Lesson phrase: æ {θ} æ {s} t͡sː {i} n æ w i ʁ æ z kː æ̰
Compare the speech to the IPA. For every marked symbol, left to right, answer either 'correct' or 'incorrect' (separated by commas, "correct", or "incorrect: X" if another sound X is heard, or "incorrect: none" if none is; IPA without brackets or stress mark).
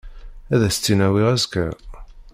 incorrect: ð, correct, correct